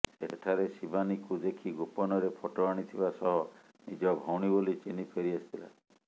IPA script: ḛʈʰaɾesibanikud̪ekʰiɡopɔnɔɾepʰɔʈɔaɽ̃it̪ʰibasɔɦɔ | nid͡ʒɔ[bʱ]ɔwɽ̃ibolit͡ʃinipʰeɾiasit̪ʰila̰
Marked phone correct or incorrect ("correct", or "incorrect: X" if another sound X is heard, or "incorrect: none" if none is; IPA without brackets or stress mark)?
correct